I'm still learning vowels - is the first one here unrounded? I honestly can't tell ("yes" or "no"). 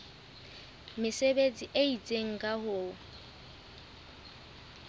yes